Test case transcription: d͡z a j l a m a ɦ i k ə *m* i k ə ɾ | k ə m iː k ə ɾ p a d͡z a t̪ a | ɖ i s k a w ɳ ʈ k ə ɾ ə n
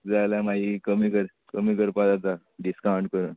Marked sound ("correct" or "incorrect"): correct